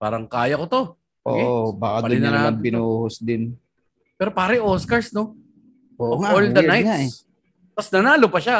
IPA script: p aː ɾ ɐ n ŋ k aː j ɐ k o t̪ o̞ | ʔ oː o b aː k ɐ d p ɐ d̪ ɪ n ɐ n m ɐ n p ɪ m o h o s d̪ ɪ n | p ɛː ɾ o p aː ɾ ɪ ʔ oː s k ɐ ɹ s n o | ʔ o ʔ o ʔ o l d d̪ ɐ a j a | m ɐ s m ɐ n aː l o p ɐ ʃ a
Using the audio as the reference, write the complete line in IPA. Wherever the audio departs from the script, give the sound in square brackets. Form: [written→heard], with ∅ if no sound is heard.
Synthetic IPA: p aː ɾ ɐ [n→∅] ŋ k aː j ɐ k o t̪ o̞ | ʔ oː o b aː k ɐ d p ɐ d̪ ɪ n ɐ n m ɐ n p ɪ [m→n] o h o s d̪ ɪ n | p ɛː ɾ o p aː ɾ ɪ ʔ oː s k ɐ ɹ s n o | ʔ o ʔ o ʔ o l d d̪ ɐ a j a | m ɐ s [m→n] ɐ n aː l o p ɐ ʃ a